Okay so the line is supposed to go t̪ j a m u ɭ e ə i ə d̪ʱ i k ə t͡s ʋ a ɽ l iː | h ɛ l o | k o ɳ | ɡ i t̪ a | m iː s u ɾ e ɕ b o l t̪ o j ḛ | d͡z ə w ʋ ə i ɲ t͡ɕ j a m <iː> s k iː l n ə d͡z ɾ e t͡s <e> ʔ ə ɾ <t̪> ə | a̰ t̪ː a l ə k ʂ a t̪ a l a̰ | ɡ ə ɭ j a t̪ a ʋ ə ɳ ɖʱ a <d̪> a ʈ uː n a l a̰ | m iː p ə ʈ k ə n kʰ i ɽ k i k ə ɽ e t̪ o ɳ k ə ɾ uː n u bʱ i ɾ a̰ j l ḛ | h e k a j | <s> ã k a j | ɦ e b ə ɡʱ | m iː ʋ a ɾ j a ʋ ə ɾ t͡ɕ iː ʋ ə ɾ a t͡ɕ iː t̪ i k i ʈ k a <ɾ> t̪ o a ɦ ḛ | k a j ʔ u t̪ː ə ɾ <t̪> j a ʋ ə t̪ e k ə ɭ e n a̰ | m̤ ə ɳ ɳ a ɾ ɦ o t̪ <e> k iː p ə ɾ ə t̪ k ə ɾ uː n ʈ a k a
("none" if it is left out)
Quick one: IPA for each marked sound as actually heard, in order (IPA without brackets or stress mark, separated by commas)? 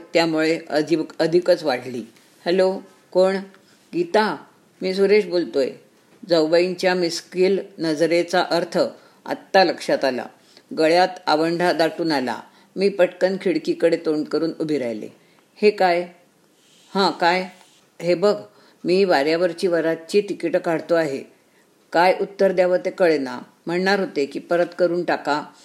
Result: i, a, t̪ʰ, d̪, h, ɽ, d̪, e